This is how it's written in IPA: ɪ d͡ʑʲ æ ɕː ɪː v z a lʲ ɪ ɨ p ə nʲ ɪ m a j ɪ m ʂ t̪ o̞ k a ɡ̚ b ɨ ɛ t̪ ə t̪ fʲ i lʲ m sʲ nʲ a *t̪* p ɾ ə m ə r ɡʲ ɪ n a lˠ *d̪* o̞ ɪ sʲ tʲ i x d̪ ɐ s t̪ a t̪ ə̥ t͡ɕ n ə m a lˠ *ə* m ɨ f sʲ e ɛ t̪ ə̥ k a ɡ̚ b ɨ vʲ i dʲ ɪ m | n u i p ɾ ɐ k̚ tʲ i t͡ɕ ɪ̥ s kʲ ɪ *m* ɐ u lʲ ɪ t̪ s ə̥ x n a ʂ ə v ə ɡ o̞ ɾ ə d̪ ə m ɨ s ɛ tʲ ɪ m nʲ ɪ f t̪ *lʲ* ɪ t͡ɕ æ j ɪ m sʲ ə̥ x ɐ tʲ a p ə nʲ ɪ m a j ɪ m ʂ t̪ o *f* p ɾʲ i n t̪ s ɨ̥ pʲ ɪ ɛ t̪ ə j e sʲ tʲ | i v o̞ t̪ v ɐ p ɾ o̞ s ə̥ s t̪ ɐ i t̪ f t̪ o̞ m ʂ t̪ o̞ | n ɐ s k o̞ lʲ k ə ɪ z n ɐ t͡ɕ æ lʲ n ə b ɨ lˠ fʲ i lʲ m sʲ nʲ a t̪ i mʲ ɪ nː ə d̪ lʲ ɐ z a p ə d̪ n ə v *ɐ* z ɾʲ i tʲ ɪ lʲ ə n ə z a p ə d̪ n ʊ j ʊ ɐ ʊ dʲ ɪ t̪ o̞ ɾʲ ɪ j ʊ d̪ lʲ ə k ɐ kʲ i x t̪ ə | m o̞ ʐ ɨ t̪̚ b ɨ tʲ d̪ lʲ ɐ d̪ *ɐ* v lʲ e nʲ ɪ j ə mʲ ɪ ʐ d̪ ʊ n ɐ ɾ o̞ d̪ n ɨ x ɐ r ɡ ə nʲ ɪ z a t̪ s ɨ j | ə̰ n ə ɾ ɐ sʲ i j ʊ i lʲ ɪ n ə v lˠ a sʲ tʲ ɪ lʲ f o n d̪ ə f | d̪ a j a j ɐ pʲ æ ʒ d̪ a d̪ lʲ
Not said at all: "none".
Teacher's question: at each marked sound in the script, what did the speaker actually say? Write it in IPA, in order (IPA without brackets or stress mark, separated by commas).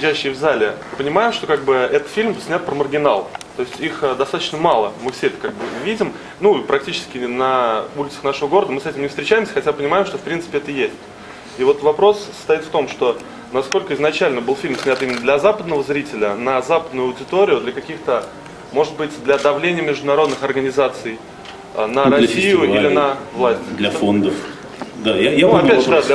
t̪, t̪, ə, n, ɾʲ, f, ə, ɐ